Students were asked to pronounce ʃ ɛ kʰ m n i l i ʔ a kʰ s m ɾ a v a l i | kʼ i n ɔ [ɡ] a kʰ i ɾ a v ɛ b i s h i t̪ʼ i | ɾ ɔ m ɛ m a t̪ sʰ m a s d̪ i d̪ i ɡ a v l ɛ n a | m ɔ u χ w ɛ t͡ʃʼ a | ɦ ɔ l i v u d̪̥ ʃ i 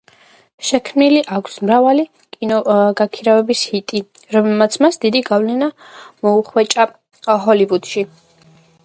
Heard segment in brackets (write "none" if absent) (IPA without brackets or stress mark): ɡ